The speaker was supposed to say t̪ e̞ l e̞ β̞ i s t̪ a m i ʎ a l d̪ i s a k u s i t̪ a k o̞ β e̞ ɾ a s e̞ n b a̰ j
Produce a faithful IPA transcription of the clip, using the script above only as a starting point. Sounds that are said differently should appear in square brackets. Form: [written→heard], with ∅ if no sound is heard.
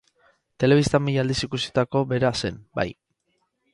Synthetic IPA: t̪ e̞ l e̞ β̞ i s t̪ a m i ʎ a l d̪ i s [a→i] k u s i t̪ a k o̞ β e̞ ɾ a s e̞ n b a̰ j